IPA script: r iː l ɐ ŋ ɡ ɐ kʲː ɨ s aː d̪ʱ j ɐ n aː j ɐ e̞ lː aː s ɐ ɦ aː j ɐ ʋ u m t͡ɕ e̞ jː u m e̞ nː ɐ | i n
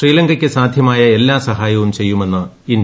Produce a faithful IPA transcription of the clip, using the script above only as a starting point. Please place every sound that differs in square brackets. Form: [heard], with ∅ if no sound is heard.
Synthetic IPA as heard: r iː l ɐ ŋ ɡ ɐ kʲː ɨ s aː d̪ʱ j ɐ [m] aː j ɐ e̞ lː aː s ɐ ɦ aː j ɐ ʋ u m t͡ɕ e̞ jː u m e̞ nː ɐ | i n